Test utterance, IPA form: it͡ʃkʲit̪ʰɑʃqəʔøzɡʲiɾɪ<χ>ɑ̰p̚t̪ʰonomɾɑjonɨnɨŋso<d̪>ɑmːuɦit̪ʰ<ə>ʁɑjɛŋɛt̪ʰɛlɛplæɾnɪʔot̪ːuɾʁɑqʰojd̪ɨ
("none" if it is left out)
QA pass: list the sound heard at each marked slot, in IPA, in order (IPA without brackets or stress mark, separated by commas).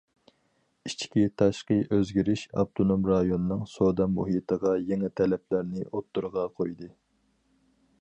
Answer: ʃ, d̪, ə